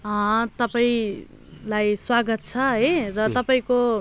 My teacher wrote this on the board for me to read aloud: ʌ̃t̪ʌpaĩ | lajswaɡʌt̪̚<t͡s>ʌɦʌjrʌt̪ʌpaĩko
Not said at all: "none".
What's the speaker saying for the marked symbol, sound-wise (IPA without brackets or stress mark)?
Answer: t͡sʰ